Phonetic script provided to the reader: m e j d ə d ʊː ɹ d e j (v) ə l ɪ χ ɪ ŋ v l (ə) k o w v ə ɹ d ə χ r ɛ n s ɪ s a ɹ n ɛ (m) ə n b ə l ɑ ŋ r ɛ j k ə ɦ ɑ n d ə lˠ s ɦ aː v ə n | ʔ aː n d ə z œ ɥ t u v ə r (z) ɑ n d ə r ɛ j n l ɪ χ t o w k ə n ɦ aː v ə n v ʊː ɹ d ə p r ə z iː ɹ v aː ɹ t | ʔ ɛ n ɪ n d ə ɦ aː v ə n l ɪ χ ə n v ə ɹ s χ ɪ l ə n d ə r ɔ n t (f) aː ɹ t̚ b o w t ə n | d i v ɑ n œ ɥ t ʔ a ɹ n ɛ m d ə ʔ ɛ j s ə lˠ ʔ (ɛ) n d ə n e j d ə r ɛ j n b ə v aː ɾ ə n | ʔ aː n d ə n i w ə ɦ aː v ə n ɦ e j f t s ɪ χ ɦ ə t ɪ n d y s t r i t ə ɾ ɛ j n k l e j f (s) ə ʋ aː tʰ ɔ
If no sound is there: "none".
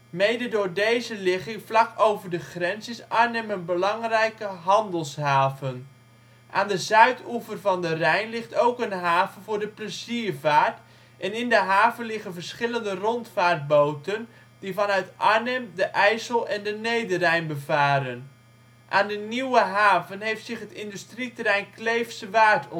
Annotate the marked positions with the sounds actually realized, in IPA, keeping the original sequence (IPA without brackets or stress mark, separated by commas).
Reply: z, ɑ, m, v, f, ɛ, s